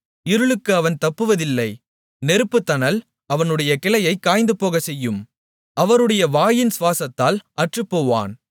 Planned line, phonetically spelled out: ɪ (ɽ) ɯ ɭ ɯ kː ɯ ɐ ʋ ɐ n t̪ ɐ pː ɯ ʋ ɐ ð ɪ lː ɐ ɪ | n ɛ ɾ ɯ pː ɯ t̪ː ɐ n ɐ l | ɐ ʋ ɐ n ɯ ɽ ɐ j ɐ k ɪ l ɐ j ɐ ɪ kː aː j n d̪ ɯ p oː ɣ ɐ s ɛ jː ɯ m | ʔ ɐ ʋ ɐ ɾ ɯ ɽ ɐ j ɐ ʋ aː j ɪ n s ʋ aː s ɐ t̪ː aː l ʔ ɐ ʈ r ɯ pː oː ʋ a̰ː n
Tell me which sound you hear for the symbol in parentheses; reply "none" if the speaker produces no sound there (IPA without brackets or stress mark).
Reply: ɾ